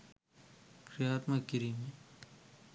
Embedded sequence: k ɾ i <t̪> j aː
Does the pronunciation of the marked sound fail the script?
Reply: yes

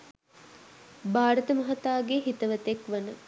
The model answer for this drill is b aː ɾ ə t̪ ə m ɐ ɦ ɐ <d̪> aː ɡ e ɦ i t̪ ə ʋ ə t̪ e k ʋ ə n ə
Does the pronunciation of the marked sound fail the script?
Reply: yes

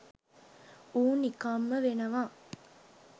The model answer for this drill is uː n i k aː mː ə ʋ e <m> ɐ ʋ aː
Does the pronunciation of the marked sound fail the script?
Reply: yes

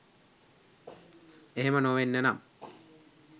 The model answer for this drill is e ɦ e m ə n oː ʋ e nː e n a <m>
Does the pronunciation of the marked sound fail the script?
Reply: no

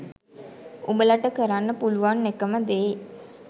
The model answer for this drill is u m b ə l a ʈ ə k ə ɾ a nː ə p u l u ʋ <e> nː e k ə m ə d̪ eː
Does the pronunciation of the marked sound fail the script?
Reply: yes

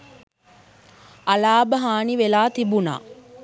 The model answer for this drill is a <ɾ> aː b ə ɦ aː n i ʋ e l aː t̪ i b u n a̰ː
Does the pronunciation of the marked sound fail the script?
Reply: yes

